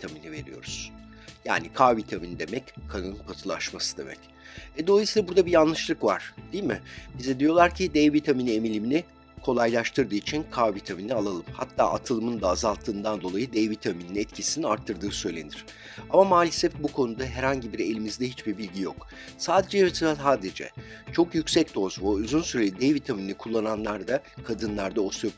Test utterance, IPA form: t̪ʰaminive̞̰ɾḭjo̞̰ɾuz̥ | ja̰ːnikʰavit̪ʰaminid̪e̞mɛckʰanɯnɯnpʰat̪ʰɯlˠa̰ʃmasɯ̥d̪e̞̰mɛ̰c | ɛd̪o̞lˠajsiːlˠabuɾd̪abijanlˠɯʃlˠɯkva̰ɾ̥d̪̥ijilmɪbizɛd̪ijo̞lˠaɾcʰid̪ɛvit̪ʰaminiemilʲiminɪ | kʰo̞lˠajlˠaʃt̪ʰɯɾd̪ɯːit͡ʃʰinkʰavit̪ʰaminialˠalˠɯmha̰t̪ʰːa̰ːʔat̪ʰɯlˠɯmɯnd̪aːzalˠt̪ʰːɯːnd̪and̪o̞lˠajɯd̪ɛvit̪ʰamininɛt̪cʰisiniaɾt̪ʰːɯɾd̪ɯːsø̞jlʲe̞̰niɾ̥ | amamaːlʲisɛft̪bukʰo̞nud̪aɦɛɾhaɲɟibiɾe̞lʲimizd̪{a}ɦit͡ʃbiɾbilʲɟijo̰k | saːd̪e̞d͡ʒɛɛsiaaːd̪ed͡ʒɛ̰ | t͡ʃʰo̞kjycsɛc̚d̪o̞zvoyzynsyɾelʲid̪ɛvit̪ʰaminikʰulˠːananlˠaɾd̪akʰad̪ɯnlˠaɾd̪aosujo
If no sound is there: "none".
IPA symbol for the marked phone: ɛ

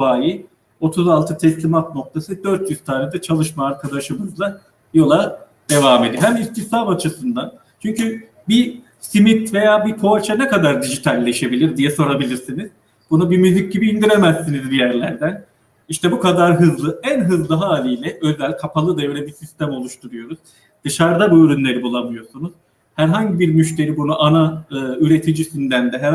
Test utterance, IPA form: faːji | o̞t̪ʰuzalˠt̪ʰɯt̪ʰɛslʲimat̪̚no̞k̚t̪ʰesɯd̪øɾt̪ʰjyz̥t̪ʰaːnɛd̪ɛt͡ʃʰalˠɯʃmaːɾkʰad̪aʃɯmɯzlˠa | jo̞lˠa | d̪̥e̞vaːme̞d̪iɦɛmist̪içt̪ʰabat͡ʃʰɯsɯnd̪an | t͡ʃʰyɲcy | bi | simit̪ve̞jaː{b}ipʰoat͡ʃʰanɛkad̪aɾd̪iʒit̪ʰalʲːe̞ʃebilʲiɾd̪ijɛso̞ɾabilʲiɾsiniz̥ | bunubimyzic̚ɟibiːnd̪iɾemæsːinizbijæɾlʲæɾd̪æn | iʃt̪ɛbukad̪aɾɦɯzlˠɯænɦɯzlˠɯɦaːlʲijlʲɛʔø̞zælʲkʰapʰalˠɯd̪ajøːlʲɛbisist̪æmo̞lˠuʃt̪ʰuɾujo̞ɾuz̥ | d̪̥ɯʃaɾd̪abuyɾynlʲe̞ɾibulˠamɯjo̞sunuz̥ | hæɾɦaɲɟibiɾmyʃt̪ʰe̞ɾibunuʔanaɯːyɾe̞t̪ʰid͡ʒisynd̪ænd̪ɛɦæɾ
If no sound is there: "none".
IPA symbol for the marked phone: b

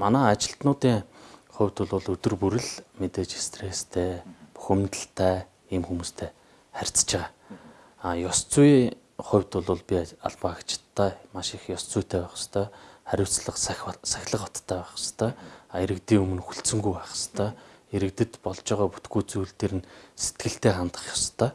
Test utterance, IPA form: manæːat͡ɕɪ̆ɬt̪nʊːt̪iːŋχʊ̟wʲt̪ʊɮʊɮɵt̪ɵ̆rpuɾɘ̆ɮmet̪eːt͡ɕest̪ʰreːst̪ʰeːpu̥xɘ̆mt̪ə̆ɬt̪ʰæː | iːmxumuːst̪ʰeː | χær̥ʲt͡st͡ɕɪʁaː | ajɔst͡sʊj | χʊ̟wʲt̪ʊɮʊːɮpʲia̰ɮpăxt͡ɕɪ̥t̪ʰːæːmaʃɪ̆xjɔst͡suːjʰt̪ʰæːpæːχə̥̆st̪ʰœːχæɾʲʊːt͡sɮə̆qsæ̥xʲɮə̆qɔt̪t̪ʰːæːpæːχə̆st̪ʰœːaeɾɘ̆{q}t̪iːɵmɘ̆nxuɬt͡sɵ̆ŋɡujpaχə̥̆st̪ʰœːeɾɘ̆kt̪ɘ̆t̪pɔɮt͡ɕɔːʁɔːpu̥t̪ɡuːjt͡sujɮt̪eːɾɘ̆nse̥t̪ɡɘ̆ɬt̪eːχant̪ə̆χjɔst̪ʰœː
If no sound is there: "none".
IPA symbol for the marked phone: k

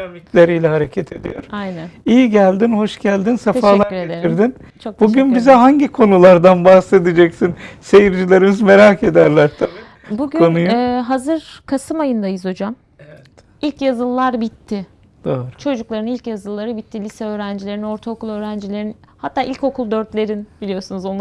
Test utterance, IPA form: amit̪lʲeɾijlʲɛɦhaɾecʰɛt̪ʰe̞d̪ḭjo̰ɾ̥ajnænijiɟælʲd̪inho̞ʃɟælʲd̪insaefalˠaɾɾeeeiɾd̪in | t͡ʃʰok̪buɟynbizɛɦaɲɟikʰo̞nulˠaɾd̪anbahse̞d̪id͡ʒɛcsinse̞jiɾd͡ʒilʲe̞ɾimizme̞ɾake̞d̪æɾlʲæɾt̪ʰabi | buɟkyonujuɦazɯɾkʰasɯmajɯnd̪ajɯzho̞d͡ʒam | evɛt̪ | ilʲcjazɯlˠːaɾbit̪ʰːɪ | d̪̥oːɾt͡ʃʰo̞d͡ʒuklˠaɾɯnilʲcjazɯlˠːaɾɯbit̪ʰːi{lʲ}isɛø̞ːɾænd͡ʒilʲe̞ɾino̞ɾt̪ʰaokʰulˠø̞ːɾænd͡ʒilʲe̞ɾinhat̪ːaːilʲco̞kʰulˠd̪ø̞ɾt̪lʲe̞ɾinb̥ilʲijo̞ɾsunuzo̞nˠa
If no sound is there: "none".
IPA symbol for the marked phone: lʲ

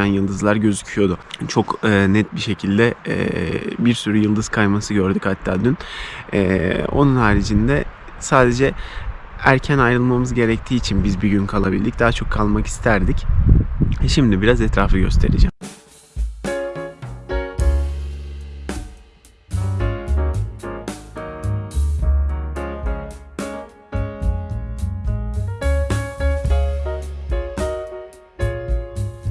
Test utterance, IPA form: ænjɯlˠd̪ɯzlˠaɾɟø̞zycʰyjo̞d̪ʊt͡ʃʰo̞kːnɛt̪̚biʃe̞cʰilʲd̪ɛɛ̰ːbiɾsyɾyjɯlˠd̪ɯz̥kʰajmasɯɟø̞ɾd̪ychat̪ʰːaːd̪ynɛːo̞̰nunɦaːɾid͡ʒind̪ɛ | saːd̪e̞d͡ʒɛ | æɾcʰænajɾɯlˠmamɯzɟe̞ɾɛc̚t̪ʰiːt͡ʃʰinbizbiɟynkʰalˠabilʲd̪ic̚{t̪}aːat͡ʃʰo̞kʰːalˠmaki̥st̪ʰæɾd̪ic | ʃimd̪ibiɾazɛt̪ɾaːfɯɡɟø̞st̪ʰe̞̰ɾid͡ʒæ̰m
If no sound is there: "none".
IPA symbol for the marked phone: d̪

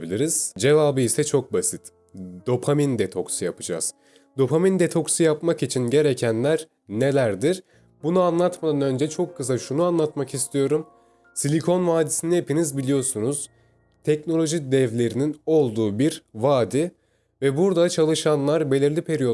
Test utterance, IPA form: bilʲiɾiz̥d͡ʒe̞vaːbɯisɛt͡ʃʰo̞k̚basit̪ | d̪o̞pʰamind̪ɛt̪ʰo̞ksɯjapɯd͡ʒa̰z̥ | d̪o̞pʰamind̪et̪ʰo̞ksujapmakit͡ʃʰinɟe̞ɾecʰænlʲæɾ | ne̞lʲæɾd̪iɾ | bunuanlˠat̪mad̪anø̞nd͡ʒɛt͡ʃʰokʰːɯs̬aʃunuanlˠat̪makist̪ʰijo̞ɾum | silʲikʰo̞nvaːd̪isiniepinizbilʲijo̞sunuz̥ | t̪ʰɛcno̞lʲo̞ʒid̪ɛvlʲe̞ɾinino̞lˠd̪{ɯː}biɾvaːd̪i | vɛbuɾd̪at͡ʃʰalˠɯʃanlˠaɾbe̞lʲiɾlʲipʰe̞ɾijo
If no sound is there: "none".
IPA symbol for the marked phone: uː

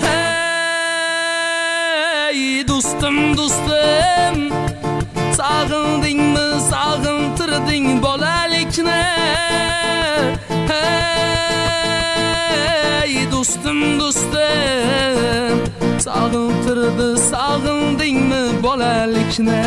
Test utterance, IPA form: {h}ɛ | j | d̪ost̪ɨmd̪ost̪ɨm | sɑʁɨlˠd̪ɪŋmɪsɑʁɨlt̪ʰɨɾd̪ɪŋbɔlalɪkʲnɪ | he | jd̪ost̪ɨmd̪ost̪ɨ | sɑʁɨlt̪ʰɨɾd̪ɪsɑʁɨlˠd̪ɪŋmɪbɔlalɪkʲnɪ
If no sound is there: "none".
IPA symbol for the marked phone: h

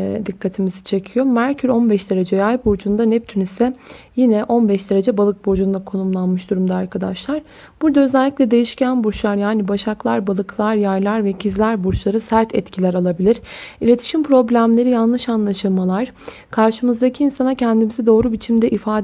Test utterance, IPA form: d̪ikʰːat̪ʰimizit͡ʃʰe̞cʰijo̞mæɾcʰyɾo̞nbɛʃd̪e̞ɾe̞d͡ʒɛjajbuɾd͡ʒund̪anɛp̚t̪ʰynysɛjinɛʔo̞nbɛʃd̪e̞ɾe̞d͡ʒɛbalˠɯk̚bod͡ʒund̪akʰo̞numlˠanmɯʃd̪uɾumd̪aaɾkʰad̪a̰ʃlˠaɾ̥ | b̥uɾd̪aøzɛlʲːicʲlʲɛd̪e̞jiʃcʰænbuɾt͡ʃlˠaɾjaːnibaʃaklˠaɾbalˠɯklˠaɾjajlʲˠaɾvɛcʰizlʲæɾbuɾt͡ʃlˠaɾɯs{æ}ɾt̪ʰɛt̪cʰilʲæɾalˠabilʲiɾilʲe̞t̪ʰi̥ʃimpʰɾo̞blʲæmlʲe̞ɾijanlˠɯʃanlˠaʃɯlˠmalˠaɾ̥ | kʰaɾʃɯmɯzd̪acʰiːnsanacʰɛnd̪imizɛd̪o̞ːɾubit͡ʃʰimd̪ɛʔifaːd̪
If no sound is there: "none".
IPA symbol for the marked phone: æ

